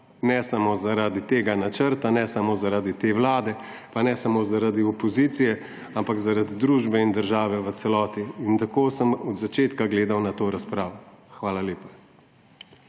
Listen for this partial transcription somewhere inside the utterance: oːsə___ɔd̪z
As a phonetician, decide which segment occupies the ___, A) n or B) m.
B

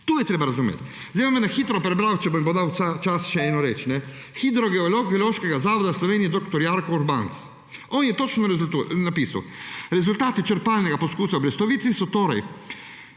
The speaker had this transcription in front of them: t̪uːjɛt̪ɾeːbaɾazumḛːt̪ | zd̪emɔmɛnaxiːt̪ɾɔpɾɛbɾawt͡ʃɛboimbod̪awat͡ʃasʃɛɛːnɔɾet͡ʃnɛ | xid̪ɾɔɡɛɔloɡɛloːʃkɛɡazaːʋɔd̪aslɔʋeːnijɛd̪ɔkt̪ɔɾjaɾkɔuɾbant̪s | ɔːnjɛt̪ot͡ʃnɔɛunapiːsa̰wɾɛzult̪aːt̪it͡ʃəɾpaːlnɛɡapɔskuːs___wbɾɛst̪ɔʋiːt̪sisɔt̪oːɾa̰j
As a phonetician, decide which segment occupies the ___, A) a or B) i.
A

